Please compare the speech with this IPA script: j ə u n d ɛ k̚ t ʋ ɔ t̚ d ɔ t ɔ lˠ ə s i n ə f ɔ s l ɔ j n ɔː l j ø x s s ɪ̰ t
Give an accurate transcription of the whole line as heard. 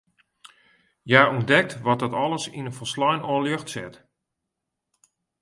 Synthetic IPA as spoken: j a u n d ɛ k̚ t ʋ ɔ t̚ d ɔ t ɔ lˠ ə s i n ə f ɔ s l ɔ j n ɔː l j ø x t s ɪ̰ t